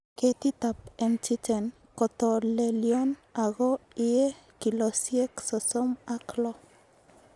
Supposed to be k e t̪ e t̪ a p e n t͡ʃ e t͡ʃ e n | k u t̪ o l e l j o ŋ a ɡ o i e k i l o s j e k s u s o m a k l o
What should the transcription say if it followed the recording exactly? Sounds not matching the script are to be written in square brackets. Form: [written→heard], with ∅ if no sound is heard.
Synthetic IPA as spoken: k e t̪ [e→i] t̪ a p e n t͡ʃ [e→i] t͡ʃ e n | k [u→o] t̪ o l e l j o [ŋ→n] a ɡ o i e k i l o s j e k s [u→o] s o m a k l o